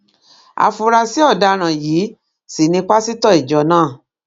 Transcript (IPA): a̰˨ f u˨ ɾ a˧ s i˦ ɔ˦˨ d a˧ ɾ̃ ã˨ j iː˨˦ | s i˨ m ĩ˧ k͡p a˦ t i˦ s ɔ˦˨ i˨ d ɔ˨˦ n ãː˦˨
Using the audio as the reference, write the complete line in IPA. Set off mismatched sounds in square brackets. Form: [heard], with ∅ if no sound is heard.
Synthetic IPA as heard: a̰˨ f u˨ ɾ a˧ s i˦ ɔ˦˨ d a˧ ɾ̃ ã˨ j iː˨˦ | s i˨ [n] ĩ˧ k͡p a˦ [s] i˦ [t] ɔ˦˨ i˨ [d͡ʒ] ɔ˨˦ n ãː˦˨

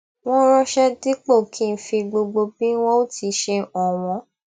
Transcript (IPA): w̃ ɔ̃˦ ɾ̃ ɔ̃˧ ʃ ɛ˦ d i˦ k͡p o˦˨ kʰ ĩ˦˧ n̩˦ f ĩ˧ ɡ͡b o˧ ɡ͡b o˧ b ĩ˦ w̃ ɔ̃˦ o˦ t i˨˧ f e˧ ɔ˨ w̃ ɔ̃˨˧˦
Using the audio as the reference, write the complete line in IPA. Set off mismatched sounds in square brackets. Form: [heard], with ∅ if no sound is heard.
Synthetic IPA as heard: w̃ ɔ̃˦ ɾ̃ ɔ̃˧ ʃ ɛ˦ d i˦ k͡p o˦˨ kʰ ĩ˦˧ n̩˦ f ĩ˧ ɡ͡b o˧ ɡ͡b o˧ b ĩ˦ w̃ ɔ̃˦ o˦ t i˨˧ [ʃ] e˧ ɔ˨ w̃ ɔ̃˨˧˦

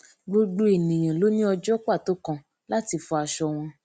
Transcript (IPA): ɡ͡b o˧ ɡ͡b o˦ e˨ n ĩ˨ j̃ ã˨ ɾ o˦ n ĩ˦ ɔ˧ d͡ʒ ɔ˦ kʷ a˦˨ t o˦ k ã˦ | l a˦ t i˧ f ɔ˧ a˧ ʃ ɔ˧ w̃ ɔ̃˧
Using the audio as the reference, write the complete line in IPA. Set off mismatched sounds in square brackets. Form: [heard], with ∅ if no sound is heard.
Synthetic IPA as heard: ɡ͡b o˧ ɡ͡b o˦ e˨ n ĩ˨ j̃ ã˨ [l] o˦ n ĩ˦ ɔ˧ d͡ʒ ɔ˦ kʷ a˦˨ t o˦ k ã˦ | l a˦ t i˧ f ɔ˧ a˧ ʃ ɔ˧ w̃ ɔ̃˧

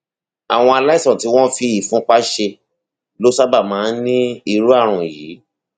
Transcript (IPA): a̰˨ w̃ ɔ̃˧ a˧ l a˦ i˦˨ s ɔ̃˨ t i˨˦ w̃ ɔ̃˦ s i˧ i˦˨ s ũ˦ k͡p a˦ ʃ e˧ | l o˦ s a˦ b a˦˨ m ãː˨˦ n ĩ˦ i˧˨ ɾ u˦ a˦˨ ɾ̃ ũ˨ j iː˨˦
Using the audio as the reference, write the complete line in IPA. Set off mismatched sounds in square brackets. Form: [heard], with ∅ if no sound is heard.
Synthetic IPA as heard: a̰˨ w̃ ɔ̃˧ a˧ l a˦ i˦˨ s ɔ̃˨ t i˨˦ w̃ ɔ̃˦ [f] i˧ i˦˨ [f] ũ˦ k͡p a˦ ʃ e˧ | l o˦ s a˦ b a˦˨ m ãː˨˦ n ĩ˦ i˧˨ ɾ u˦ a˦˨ ɾ̃ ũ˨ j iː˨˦

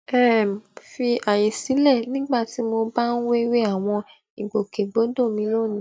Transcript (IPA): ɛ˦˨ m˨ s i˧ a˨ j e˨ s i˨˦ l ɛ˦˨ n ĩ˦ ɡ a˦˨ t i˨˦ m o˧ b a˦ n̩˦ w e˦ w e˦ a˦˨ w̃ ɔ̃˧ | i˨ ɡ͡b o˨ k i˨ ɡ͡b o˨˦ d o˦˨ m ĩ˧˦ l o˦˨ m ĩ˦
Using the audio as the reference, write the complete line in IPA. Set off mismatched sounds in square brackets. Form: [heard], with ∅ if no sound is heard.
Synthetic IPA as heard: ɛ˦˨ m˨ [f] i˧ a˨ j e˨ s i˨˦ l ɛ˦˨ n ĩ˦ [ɡ͡b] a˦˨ t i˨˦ m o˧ b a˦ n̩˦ w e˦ w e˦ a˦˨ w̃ ɔ̃˧ | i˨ ɡ͡b o˨ k [e˨] ɡ͡b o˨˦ d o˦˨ m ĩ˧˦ l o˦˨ [n] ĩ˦

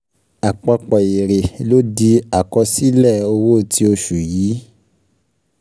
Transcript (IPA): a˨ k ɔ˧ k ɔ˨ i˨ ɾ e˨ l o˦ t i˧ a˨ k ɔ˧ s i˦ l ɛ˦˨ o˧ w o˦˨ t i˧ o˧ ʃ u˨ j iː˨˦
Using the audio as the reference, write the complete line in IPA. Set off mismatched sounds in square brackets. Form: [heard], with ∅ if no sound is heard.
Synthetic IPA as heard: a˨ [k͡p] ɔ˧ [k͡p] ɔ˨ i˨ ɾ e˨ l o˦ [d] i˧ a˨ k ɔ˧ s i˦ l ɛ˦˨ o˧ w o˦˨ t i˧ o˧ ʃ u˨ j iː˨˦

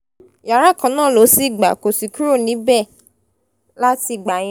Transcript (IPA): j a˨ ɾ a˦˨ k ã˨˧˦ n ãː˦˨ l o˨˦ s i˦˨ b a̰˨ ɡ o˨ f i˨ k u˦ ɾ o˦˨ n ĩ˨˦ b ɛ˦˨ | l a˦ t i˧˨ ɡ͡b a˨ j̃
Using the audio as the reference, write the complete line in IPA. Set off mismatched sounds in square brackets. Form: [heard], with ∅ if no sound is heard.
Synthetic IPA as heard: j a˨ ɾ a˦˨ k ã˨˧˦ n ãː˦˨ l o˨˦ s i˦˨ [ɡ͡b] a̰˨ [k] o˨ [s] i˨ k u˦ ɾ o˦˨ n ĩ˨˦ b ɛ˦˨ | l a˦ t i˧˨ ɡ͡b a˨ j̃

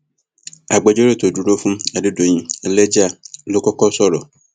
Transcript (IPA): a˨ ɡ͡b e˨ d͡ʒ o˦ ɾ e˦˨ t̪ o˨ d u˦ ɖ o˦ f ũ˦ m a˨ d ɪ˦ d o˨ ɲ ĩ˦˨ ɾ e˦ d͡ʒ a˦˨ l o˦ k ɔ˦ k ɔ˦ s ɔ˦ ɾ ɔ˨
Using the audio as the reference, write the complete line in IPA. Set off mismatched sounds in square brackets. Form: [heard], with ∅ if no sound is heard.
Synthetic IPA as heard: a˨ ɡ͡b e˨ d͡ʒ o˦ ɾ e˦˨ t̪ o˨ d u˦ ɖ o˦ f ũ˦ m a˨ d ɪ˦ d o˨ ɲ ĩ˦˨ [l] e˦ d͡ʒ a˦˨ l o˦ k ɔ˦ k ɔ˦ s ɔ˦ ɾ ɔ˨

